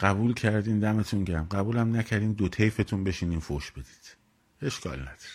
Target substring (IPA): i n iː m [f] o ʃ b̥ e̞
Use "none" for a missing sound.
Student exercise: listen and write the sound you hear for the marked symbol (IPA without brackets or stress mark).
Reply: f